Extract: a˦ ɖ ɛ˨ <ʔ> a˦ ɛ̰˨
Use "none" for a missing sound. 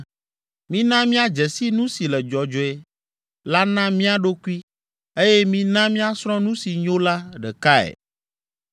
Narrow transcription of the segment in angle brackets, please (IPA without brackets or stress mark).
k